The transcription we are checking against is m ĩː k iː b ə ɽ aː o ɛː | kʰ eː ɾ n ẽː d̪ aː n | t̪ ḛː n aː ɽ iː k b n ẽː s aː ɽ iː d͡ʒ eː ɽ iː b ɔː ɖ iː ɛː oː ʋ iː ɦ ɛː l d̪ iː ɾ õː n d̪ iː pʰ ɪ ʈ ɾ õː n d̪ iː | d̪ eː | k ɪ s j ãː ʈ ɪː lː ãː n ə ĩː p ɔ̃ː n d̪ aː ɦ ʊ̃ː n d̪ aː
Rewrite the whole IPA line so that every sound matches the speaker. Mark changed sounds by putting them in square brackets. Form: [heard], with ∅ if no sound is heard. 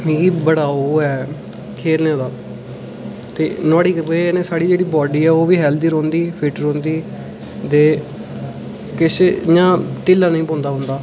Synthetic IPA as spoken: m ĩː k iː b ə ɽ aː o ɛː | kʰ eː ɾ n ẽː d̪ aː [∅] | t̪ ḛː n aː ɽ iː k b n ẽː s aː ɽ iː d͡ʒ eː ɽ iː b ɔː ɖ iː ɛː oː ʋ iː ɦ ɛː l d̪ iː ɾ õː n d̪ iː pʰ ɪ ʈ ɾ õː n d̪ iː | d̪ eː | k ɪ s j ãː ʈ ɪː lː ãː n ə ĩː p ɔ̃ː n d̪ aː ɦ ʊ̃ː n d̪ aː